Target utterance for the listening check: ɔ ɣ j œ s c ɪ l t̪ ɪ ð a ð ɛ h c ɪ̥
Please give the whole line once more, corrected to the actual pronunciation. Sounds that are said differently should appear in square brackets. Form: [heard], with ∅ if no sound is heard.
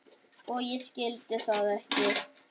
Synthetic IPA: ɔ ɣ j [ɛ] s c ɪ l t̪ ɪ [θ] a ð ɛ h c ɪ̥